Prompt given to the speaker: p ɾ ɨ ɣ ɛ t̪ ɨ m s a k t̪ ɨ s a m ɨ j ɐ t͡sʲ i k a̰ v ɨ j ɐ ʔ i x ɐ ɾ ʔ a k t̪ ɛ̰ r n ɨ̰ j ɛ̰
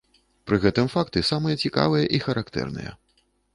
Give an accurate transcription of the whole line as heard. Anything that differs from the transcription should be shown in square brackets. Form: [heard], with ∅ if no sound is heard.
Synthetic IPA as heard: p ɾ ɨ ɣ ɛ t̪ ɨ m [f] a k t̪ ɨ s a m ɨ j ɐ t͡sʲ i k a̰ v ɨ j ɐ ʔ i x ɐ ɾ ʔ a k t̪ ɛ̰ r n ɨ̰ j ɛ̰

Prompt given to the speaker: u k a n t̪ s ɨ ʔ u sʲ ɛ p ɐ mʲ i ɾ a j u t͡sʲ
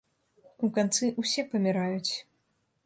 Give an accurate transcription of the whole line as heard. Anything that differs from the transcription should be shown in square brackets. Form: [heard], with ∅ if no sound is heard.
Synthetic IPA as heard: u k a n t̪ s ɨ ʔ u sʲ ɛ p ɐ mʲ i ɾ a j u t͡sʲ

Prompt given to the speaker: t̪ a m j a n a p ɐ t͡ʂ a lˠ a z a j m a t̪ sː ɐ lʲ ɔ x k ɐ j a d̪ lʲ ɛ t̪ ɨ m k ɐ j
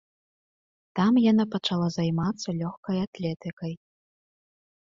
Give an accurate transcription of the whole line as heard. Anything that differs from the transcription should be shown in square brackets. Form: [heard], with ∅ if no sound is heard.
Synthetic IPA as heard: t̪ a m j a n a p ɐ t͡ʂ a lˠ a z a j m a t̪ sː ɐ lʲ ɔ x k ɐ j a [t̪] lʲ ɛ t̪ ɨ [∅] k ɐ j

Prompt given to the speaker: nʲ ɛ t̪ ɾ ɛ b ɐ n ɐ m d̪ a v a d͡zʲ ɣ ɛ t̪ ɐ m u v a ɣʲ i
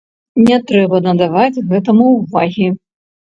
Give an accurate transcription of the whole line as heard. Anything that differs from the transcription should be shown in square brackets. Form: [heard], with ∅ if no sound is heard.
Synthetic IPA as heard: nʲ ɛ t̪ ɾ ɛ b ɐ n ɐ [∅] d̪ a v a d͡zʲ ɣ ɛ t̪ ɐ m u v a ɣʲ i

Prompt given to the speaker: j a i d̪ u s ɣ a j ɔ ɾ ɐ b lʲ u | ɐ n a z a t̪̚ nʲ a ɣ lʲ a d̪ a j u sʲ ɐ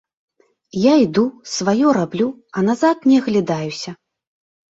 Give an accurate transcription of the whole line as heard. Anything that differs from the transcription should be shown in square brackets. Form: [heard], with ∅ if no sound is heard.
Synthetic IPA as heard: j a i d̪ u s [v] a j ɔ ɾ [a] b lʲ u | ɐ n a z a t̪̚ nʲ [ɛ] ɣ lʲ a d̪ a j u sʲ ɐ

